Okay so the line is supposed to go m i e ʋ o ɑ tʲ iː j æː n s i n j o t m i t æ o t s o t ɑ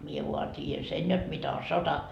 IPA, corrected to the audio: m i e ʋ u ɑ tʲ iː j æ n s e n j o t m i t æ o s o t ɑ